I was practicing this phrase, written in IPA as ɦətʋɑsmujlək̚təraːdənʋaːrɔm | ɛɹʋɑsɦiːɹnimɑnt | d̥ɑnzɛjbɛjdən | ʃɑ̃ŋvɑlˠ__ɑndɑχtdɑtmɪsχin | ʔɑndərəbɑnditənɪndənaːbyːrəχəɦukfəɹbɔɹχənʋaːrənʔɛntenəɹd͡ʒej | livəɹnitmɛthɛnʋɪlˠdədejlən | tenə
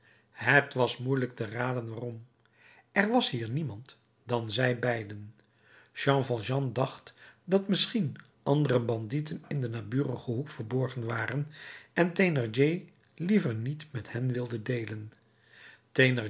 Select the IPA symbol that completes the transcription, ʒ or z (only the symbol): ʒ